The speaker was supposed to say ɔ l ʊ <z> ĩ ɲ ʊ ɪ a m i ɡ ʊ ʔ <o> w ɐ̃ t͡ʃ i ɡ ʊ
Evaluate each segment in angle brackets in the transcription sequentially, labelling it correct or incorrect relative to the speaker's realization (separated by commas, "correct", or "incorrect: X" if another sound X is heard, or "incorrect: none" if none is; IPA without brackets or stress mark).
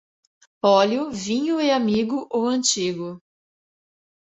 incorrect: v, correct